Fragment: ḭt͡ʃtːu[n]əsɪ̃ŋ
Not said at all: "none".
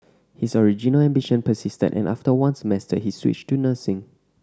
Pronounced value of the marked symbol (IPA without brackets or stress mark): n